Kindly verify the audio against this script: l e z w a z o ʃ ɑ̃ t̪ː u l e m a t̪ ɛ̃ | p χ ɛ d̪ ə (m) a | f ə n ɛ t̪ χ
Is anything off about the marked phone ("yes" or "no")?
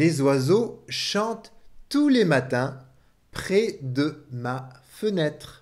no